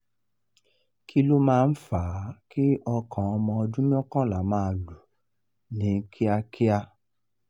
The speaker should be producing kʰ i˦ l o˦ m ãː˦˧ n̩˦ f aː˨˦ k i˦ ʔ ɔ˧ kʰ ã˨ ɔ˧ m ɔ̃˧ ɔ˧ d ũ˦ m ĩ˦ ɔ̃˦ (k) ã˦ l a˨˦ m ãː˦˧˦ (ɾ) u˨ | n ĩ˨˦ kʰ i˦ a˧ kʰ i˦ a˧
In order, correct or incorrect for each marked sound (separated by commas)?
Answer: correct, incorrect